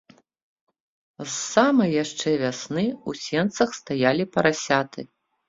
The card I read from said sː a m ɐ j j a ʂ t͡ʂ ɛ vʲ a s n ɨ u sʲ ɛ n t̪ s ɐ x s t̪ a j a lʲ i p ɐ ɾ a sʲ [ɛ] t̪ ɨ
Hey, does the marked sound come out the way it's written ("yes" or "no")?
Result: no